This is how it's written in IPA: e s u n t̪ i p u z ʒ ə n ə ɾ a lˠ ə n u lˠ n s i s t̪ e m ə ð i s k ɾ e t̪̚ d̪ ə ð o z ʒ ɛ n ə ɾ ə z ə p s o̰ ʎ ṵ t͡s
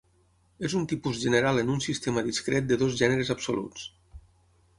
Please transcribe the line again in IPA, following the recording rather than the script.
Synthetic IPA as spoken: e z u n t̪ i p u z ʒ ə n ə ɾ a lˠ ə n u n s i s t̪ e m ə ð i s k ɾ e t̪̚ d̪ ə ð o z ʒ ɛ n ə ɾ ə z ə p s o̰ l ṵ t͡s